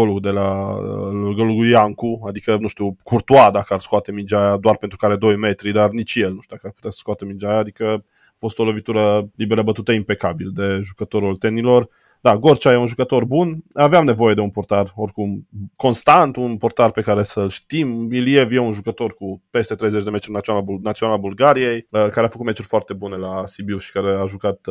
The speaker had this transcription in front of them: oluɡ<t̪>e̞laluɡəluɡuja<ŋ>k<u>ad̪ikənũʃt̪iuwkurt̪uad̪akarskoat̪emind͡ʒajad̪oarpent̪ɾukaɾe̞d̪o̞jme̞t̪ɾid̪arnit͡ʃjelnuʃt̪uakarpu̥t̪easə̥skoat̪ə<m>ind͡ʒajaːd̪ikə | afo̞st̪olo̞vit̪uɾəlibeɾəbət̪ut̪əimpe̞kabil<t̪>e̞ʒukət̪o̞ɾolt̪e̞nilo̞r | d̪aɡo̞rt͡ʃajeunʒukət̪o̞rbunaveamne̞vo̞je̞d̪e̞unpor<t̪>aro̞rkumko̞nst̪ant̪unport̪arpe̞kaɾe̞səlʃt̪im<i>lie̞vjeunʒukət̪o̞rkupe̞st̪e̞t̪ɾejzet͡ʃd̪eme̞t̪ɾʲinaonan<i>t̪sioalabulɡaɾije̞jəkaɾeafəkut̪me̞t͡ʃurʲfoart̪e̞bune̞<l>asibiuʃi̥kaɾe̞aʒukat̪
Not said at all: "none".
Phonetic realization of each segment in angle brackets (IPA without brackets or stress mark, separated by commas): d̪, ŋ, u, m, d̪, t̪, i, a, l